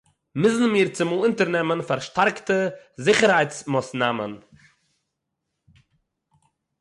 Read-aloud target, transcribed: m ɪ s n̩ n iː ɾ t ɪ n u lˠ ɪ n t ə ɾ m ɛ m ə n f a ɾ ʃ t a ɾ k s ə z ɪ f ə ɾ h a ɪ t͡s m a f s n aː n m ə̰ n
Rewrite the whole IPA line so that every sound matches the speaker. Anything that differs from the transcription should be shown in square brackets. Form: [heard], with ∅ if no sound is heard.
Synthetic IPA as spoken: m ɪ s n̩ [m] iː ɾ [t͡s] ɪ [m] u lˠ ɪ n t ə ɾ [n] ɛ m ə n f a ɾ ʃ t a ɾ k [t] ə z ɪ [χ] ə ɾ h a ɪ t͡s m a [∅] s n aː [∅] m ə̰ n